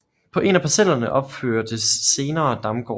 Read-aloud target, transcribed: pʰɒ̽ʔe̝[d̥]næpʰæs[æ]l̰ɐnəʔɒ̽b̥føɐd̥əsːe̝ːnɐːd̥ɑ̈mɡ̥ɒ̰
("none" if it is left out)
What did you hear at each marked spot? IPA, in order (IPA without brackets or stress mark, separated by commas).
none, e